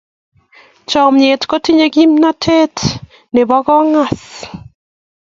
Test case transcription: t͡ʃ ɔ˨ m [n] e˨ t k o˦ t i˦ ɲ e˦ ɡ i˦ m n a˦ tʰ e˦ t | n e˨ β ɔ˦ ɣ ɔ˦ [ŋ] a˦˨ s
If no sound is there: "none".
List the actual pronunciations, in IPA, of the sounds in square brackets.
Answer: ɲ, ŋ

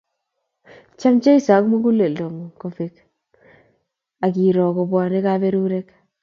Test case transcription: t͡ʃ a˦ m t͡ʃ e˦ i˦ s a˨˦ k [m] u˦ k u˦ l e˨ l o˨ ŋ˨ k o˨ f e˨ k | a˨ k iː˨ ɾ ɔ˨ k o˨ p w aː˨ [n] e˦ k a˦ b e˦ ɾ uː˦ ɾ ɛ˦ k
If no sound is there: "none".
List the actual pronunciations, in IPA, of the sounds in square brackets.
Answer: m, n

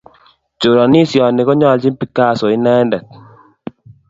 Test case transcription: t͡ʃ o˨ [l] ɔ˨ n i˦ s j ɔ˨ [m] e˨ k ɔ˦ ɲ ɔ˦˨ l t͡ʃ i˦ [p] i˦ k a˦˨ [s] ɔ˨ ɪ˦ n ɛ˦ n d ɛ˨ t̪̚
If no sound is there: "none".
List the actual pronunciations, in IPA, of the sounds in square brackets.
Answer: ɾ, n, p, s

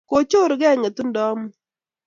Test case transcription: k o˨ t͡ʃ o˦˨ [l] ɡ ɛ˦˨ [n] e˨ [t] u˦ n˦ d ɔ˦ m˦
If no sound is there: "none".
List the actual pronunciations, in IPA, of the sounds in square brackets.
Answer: ɾ, ŋ, t

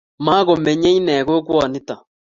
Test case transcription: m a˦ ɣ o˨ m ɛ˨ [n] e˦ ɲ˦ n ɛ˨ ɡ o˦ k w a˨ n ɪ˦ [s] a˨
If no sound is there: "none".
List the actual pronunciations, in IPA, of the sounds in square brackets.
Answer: ɲ, t

